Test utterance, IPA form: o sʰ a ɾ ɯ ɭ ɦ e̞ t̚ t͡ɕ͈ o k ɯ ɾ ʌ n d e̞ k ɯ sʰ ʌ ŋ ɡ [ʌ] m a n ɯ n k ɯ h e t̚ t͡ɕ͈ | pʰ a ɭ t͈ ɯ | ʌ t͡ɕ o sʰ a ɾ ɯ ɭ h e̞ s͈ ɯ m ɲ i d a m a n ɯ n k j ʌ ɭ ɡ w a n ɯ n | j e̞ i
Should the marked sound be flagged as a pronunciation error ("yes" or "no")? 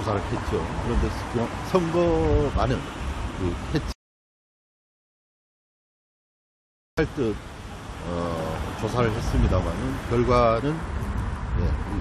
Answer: no